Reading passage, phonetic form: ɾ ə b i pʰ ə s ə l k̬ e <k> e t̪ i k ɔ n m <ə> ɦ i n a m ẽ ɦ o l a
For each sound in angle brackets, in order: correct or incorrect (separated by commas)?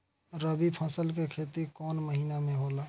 incorrect, correct